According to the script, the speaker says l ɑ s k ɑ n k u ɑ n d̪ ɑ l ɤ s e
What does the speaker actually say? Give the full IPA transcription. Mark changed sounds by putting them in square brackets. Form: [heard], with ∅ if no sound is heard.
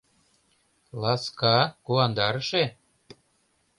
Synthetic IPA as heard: l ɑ s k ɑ [∅] k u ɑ n d̪ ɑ [ɾ] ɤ [ʃ] e